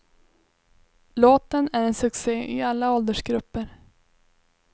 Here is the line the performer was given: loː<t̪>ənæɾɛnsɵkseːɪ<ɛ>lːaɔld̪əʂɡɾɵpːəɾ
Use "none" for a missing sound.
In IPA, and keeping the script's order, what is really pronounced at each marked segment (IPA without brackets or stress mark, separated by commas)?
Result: t̪, a